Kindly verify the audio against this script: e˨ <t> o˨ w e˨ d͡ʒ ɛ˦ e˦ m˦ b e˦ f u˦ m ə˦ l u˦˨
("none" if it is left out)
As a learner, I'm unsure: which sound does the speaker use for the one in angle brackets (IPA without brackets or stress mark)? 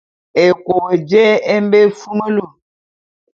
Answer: k